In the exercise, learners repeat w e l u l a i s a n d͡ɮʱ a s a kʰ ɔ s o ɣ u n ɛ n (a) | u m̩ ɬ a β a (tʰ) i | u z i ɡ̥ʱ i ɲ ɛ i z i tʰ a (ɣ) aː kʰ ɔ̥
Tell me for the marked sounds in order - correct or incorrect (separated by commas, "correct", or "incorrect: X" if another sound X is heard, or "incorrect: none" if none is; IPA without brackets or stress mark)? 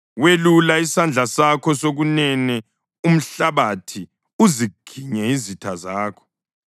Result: incorrect: ɛ, correct, incorrect: z